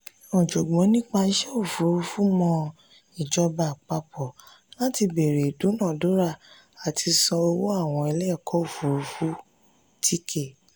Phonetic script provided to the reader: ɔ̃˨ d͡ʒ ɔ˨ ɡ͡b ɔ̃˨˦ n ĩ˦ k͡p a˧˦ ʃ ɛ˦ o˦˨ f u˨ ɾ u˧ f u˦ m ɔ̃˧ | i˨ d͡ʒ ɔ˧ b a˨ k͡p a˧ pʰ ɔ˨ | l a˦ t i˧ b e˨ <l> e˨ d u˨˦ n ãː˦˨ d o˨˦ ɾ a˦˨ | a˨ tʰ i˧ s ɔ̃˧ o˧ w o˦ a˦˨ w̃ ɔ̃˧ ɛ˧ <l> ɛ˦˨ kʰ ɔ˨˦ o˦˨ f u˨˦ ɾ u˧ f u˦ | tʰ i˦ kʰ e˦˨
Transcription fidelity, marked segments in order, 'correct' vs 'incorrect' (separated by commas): incorrect, correct